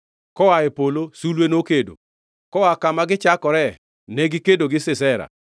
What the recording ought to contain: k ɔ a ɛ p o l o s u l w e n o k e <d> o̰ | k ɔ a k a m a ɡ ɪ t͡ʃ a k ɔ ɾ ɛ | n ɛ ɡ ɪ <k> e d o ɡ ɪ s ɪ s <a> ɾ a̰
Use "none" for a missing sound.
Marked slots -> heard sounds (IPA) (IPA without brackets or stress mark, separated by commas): d, k, ɛ